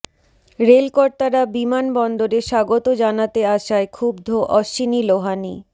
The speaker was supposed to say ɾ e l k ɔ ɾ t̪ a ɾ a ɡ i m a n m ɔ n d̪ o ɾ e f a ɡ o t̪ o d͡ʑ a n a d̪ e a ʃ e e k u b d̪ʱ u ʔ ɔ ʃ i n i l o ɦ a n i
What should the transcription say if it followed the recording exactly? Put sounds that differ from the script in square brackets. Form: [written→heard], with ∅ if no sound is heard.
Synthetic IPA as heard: ɾ e l k ɔ ɾ t̪ a ɾ a [ɡ→b] i m a n [m→b] ɔ n d̪ o ɾ e [f→ʃ] a ɡ o t̪ o d͡ʑ a n a [d̪→t̪] e a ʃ [e→a] e [k→kʰ] u b d̪ʱ [u→o] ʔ ɔ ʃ i n i l o ɦ a n i